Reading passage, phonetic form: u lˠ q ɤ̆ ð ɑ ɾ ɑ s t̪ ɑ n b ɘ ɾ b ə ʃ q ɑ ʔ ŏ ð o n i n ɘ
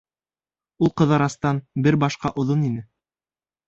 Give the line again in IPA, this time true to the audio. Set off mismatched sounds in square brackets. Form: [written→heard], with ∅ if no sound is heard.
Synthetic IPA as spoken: u lˠ q ɤ̆ ð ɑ ɾ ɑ s t̪ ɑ n b ɘ ɾ b [ə→ɑ] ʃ q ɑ ʔ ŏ ð o n i n ɘ

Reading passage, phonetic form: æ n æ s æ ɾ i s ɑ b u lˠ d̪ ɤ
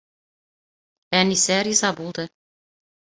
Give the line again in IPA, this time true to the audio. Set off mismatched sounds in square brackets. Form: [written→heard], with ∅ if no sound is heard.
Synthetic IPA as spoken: æ n [æ→i] s æ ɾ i [s→z] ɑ b u lˠ d̪ ɤ

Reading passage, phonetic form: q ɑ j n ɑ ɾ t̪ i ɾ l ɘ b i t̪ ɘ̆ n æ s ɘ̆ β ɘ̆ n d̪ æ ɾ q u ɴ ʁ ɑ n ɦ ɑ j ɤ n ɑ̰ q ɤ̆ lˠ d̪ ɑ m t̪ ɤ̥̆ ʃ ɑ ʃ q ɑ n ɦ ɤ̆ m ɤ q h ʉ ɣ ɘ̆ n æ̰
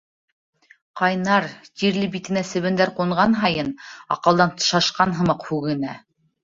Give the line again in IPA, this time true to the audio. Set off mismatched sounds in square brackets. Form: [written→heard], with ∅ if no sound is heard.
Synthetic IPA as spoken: q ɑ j n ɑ ɾ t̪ i ɾ l ɘ b i t̪ ɘ̆ n æ s ɘ̆ β ɘ̆ n d̪ æ ɾ q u ɴ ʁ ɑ n ɦ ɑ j ɤ n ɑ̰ q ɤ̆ lˠ d̪ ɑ [m→n] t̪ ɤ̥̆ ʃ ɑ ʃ q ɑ n ɦ ɤ̆ m ɤ q h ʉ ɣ ɘ̆ n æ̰

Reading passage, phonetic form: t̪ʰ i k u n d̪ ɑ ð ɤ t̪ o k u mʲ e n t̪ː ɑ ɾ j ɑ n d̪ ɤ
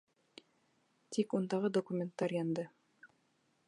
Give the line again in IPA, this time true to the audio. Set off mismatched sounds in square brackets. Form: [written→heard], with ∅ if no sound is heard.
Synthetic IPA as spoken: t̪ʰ i k u n d̪ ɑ [ð→ʁ] ɤ [t̪→d̪] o k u mʲ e n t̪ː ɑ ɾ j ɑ n d̪ ɤ

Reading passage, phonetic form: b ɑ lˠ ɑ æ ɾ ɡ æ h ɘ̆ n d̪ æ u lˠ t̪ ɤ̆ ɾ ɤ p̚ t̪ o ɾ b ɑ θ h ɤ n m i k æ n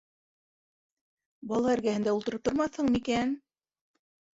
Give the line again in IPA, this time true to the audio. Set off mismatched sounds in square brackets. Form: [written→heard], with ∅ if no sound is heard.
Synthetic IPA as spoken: b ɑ lˠ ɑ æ ɾ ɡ æ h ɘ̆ n d̪ æ u lˠ t̪ ɤ̆ ɾ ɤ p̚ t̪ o ɾ [b→m] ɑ θ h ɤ [n→ɴ] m i k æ n

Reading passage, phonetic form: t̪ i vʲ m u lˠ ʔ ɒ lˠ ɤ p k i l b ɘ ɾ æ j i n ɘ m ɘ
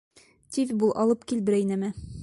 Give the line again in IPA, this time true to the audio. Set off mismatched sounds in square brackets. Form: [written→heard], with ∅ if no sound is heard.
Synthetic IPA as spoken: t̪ i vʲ [m→b] u lˠ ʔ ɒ lˠ ɤ p k i l b ɘ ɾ æ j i n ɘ m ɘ

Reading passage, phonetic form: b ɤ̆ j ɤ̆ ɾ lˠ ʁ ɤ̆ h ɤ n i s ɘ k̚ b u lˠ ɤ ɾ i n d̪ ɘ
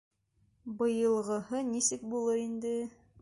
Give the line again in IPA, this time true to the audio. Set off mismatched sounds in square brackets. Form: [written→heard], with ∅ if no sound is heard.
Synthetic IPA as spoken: b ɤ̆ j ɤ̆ [ɾ→∅] lˠ ʁ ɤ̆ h ɤ n i s ɘ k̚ b u lˠ ɤ ɾ i n d̪ ɘ

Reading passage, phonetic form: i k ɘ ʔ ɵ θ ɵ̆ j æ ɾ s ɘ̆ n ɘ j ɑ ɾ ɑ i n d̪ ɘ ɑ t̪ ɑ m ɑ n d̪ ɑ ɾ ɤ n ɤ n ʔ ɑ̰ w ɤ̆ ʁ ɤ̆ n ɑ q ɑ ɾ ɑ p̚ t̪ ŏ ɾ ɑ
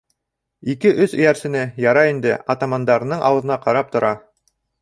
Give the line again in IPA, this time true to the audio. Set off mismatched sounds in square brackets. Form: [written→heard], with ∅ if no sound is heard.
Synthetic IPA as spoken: i k ɘ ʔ ɵ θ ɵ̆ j æ ɾ s ɘ̆ n ɘ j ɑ ɾ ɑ i n d̪ ɘ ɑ t̪ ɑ m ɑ n d̪ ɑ ɾ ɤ n ɤ [n→ɴ] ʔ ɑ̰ w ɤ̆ [ʁ→ð] ɤ̆ n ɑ q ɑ ɾ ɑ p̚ t̪ ŏ ɾ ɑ

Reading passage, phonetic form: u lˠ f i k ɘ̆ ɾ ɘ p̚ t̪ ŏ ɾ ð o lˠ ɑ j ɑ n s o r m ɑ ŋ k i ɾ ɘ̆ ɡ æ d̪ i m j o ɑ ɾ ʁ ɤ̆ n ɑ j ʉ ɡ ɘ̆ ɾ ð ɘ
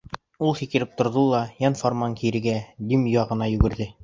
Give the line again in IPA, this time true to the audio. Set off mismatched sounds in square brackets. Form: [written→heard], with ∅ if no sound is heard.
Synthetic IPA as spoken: u lˠ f i k ɘ̆ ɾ ɘ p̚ t̪ ŏ ɾ ð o lˠ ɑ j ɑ n [s→f] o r m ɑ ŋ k i ɾ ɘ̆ ɡ æ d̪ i m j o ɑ [ɾ→∅] ʁ ɤ̆ n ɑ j ʉ ɡ ɘ̆ ɾ ð ɘ

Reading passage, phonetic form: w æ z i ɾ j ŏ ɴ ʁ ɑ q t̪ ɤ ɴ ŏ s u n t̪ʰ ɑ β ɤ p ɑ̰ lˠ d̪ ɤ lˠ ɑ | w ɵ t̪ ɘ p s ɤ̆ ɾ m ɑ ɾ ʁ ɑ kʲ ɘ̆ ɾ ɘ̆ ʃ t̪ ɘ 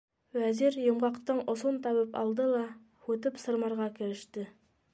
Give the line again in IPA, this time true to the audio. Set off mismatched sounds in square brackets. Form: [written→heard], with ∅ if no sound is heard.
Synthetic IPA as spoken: w æ z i ɾ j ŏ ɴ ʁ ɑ q t̪ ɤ ɴ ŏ s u n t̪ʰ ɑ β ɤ p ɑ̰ lˠ d̪ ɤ lˠ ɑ | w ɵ t̪ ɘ p s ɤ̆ ɾ m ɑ ɾ ʁ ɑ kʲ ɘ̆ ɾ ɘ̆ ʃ t̪ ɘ

